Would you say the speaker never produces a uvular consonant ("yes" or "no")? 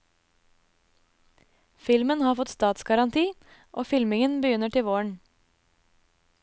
yes